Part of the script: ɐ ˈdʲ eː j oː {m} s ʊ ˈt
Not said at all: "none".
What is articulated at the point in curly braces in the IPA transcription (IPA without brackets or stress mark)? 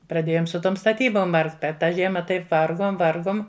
m